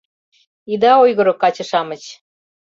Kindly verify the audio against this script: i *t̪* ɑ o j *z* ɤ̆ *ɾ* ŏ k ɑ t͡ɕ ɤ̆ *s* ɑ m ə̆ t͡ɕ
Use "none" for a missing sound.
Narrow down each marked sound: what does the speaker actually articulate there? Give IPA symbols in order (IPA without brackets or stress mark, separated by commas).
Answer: d̪, ɣ, ɾ, ʃ